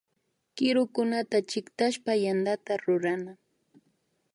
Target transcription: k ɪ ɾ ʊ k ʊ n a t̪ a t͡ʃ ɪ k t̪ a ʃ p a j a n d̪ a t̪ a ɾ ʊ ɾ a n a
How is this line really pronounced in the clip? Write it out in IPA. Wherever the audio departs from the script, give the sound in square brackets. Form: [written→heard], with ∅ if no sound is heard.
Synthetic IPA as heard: k ɪ ɾ ʊ k ʊ n a t̪ a t͡ʃ ɪ k t̪ a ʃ p a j a n d̪ a t̪ a ɾ ʊ ɾ a n a